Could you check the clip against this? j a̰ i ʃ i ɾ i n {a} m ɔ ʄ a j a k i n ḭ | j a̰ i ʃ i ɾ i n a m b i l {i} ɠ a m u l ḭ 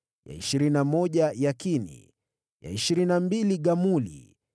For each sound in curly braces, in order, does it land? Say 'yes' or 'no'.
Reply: yes, yes

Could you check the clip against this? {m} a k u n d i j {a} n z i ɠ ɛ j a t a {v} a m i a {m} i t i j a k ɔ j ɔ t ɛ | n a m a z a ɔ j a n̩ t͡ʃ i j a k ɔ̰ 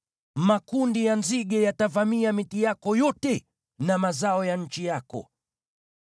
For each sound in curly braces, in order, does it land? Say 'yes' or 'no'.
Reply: yes, yes, yes, yes

